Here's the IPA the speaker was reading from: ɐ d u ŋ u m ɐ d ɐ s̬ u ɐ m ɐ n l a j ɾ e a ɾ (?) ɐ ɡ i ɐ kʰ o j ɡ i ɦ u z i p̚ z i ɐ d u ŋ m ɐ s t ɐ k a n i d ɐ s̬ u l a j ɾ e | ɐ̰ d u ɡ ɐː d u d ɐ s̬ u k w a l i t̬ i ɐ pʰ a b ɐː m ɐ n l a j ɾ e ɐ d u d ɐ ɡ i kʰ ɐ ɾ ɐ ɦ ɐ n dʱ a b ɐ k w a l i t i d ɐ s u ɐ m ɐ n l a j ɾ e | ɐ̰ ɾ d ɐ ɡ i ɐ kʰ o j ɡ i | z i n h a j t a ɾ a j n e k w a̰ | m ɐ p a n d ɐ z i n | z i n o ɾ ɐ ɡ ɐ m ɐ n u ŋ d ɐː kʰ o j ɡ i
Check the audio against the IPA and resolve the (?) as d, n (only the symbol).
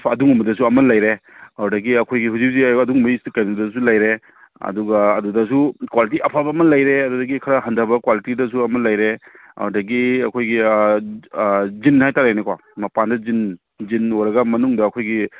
d